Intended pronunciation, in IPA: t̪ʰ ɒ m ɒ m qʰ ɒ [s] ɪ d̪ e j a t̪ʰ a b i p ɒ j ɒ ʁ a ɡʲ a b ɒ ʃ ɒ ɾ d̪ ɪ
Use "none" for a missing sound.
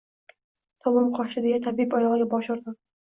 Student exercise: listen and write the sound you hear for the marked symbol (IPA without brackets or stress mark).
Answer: ʃ